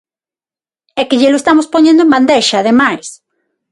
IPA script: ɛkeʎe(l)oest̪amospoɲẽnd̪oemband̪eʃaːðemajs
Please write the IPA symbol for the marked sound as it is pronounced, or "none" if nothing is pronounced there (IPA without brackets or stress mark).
l